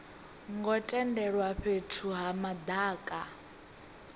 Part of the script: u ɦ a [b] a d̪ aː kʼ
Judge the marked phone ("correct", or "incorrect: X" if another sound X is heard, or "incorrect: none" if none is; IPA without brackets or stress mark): incorrect: m